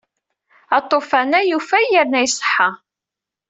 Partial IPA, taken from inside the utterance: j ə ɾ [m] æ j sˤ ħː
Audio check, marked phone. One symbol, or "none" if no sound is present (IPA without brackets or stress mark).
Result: n